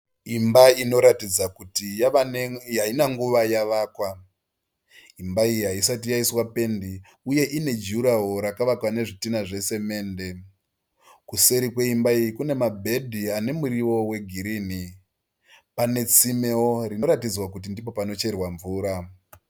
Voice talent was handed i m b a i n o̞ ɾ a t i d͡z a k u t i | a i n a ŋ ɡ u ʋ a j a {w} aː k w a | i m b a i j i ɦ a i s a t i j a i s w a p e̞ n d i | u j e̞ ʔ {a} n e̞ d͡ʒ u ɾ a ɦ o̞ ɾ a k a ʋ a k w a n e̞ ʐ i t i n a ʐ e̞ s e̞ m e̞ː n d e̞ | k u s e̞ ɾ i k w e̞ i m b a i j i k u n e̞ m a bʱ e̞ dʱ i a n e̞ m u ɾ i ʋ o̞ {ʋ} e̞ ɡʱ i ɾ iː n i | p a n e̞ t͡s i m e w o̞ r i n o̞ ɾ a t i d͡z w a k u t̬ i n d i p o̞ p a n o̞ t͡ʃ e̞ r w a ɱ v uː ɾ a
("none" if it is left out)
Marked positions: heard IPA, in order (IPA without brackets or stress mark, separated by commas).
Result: ʋ, i, w